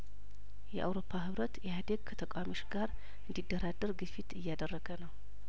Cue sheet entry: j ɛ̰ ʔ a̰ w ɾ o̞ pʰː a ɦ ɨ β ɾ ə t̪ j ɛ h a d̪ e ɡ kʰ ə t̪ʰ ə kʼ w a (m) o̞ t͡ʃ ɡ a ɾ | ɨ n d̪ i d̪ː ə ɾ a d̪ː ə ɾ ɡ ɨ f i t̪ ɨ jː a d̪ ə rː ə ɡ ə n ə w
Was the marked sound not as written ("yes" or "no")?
no